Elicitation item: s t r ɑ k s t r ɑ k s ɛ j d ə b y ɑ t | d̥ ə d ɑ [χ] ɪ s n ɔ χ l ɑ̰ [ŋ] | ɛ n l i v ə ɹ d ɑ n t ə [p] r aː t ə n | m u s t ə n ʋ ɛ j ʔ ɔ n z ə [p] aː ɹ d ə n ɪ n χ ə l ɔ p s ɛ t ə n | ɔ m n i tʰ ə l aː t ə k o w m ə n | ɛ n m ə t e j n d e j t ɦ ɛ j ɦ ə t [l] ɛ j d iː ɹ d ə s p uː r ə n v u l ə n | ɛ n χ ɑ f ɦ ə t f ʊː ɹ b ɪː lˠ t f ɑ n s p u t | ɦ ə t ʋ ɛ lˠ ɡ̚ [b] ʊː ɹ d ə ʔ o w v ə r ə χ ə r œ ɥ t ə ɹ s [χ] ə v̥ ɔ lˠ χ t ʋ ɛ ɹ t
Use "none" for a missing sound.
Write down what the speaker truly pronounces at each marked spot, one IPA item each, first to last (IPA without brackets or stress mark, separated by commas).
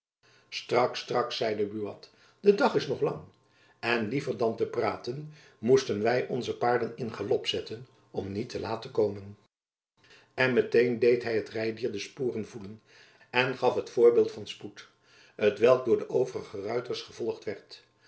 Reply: χ, ŋ, p, p, r, d, χ